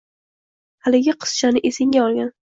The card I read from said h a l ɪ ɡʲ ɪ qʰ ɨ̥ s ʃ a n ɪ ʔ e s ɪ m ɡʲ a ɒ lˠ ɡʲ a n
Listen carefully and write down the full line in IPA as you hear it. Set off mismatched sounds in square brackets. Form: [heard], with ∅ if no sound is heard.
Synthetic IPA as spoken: h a l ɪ ɡʲ ɪ qʰ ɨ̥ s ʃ a n ɪ ʔ e s ɪ [ŋ] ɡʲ a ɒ lˠ ɡʲ a n

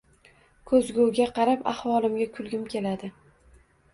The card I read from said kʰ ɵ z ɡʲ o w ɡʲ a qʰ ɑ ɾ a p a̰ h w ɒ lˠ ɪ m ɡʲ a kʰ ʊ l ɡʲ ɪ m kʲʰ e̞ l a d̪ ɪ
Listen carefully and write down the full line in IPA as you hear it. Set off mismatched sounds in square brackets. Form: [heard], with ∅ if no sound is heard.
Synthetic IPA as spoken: kʰ ɵ z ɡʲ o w ɡʲ a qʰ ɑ ɾ a p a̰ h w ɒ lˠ ɪ m ɡʲ a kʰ ʊ l ɡʲ ɪ m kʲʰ e̞ l a d̪ ɪ

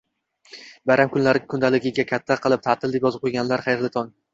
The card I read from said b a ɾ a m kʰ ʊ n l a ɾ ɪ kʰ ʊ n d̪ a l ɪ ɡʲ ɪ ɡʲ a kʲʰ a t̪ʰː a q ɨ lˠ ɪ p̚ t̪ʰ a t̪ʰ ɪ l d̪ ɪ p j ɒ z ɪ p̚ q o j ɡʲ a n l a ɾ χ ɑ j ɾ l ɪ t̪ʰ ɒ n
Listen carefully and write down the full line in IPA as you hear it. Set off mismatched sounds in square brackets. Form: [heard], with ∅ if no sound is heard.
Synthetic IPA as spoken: b a ɾ a m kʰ ʊ n l a ɾ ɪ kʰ ʊ n d̪ a l ɪ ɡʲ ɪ ɡʲ a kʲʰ a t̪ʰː a q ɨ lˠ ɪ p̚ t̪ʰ a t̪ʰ ɪ l d̪ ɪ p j ɒ z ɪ p̚ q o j ɡʲ a n l a ɾ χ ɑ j ɾ l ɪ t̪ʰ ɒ n

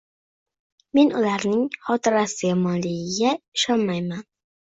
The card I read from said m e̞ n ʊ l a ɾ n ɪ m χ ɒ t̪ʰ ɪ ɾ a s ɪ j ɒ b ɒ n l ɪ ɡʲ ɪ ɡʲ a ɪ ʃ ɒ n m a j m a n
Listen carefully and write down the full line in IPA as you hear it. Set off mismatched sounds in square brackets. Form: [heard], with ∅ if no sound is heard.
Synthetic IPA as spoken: m e̞ n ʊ l a ɾ n ɪ [ŋ] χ ɒ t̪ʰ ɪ ɾ a s ɪ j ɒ [m] ɒ n l ɪ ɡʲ ɪ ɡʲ a ɪ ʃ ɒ n m a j m a n

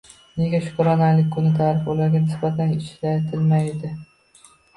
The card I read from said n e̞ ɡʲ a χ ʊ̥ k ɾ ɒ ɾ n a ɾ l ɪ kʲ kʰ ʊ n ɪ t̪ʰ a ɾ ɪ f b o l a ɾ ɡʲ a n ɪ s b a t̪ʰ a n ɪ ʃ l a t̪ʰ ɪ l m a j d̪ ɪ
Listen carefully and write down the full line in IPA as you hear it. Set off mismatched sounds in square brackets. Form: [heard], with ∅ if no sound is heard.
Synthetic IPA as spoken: n e̞ ɡʲ a [ʃ] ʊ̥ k ɾ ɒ [∅] n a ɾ l ɪ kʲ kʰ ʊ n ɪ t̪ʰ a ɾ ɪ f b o l a ɾ ɡʲ a n ɪ s b a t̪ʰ a n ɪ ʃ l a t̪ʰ ɪ l m a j d̪ ɪ

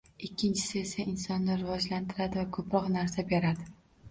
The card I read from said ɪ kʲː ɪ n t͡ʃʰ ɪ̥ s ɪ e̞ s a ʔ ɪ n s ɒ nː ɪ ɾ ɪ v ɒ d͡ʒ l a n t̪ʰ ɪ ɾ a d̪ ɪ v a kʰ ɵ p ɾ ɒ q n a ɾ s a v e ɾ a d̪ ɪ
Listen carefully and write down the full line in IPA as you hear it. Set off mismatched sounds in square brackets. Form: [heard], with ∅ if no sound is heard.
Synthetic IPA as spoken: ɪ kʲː ɪ n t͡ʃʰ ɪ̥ s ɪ e̞ s a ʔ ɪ n s ɒ nː ɪ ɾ ɪ v ɒ d͡ʒ l a n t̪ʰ ɪ ɾ a d̪ ɪ v a kʰ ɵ p ɾ ɒ q n a ɾ s a [b] e ɾ a d̪ ɪ

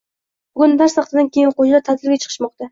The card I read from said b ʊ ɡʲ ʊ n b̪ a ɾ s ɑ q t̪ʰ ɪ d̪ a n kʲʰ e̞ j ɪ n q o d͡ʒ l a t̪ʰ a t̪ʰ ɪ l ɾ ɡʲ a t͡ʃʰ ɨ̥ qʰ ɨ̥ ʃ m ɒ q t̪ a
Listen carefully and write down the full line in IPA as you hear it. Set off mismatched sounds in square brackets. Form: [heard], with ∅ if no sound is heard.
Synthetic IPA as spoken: b ʊ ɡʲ ʊ n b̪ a ɾ s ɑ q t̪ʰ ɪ d̪ a n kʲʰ e̞ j ɪ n q o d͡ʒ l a t̪ʰ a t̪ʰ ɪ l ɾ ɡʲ a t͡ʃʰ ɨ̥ qʰ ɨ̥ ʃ m ɒ q t̪ a

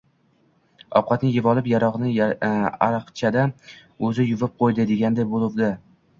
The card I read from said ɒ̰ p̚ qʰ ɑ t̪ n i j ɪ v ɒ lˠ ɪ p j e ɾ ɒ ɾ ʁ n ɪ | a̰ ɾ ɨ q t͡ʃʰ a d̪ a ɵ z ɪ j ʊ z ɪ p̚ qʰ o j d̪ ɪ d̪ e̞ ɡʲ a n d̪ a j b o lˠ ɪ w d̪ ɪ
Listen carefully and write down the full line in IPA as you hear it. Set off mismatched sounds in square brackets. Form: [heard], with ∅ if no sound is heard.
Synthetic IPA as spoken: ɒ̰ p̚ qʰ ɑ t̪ n [ɪ] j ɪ v ɒ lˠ ɪ p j [a] ɾ ɒ [∅] ʁ n ɪ | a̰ ɾ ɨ q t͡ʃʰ a d̪ a ɵ z ɪ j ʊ [v] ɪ p̚ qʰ o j d̪ ɪ d̪ e̞ ɡʲ a n d̪ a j b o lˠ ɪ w d̪ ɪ

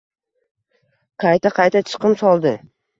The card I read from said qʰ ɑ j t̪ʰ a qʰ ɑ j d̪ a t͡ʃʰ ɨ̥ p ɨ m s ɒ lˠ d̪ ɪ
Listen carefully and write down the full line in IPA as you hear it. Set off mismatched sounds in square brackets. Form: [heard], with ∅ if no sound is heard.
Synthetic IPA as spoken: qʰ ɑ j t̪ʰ a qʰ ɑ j [t̪] a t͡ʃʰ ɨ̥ [q] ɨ m s ɒ lˠ d̪ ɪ

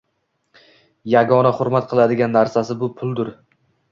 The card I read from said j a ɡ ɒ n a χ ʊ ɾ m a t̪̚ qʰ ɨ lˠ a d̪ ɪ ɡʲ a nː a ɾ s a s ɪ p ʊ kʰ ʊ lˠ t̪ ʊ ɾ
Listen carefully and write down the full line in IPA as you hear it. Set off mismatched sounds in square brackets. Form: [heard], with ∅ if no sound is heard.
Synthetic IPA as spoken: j a ɡ ɒ n a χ ʊ ɾ m a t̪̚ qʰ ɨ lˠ a d̪ ɪ ɡʲ a nː a ɾ s a s ɪ [b] ʊ [pʰ] ʊ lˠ [d̪] ʊ ɾ

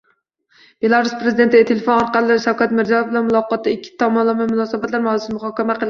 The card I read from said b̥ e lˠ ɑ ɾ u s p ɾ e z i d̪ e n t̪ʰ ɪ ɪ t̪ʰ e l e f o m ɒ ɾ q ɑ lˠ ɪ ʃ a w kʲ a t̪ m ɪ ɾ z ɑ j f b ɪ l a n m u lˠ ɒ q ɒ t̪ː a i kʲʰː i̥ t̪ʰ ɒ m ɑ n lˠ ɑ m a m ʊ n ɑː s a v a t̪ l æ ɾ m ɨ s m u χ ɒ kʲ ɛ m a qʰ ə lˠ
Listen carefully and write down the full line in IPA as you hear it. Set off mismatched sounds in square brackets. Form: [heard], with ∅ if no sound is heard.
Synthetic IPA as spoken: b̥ e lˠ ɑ ɾ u s p ɾ e z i d̪ e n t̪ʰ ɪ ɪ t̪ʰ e l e f o [n] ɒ ɾ q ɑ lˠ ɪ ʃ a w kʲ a t̪ m ɪ ɾ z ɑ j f b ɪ l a n m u lˠ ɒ q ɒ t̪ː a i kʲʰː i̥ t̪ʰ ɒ m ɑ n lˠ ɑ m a m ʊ n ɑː s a [b] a t̪ l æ ɾ m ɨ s m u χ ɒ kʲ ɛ m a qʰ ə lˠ

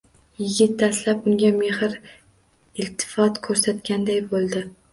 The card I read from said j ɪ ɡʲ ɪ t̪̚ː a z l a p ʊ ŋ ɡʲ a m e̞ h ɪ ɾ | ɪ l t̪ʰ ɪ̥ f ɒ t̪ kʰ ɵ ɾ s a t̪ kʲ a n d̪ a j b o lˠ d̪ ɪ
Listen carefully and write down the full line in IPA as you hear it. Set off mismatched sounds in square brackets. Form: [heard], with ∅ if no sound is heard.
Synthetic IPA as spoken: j ɪ ɡʲ ɪ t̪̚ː a [s] l a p ʊ ŋ ɡʲ a m e̞ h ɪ ɾ | ɪ l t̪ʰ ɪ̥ f ɒ t̪ kʰ ɵ ɾ s a t̪ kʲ a n d̪ a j b o lˠ d̪ ɪ

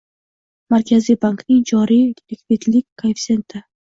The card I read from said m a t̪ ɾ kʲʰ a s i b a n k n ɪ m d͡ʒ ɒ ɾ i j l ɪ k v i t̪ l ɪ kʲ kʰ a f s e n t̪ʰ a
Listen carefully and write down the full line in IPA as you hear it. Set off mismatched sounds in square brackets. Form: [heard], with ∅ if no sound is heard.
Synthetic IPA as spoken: m a [∅] ɾ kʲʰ a [z] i b a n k n ɪ [ŋ] d͡ʒ ɒ ɾ i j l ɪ k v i t̪ l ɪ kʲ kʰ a f s e n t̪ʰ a

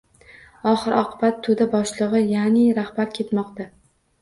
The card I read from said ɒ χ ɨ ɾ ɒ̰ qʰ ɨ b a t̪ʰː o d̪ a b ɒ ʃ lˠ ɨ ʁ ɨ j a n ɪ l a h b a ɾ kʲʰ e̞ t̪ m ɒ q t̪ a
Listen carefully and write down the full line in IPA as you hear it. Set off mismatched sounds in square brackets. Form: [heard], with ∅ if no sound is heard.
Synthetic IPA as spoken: ɒ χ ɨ ɾ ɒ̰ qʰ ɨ b a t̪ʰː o d̪ a b ɒ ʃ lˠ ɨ ʁ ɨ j a n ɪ [ɾ] a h b a ɾ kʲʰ e̞ t̪ m ɒ q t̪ a

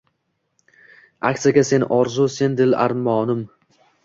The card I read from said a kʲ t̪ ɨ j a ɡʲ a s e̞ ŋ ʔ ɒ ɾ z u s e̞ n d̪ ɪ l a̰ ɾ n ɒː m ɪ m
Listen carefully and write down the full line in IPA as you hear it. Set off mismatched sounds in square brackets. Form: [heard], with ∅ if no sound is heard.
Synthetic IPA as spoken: a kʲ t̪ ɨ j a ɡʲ a s e̞ [n] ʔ ɒ ɾ z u s e̞ n d̪ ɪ l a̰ ɾ [m] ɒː [n] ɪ m

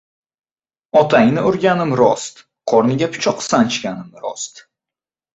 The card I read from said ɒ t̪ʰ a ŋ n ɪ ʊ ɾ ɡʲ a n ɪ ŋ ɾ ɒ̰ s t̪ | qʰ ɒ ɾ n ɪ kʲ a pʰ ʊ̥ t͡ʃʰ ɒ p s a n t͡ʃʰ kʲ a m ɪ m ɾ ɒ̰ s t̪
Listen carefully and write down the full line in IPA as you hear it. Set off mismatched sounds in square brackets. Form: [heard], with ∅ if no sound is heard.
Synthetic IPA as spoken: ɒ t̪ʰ a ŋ n ɪ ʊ ɾ ɡʲ a n ɪ [m] ɾ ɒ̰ s t̪ | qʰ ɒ ɾ n ɪ [ɡʲ] a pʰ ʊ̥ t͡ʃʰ ɒ [q] s a n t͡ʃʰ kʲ a [n] ɪ m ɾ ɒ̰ s t̪

